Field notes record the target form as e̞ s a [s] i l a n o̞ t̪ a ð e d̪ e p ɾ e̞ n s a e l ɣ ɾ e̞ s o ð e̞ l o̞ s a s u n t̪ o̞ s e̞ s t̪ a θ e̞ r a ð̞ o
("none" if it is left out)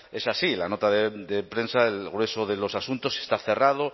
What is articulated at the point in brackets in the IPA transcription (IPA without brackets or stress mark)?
s